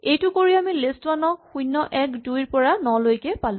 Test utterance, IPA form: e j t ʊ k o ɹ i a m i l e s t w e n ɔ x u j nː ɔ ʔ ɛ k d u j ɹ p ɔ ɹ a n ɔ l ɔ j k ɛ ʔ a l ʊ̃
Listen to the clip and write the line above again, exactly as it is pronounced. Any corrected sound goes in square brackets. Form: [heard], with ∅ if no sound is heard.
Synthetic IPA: e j t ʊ k o ɹ i a m i l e s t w [a] n ɔ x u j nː ɔ ʔ ɛ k d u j ɹ p ɔ ɹ a n ɔ l [o] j k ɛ [p] a l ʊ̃